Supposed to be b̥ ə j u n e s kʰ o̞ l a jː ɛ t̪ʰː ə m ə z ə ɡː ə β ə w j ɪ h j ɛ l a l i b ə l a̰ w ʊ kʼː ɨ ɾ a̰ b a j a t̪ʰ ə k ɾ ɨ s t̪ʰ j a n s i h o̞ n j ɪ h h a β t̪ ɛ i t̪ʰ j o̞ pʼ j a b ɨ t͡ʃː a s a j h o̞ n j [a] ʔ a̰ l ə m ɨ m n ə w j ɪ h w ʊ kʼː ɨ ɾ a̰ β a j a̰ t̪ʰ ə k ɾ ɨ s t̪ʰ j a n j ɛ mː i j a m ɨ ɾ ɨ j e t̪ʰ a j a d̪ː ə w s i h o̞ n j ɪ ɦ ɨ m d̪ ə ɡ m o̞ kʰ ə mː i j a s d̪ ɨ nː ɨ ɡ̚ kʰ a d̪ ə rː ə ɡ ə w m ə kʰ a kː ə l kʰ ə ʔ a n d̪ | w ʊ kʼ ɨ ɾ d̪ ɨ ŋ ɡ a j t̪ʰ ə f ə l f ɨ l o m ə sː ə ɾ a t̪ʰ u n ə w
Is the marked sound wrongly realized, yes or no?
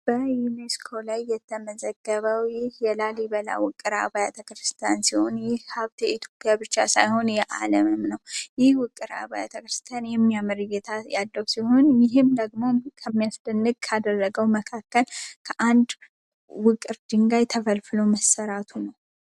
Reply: yes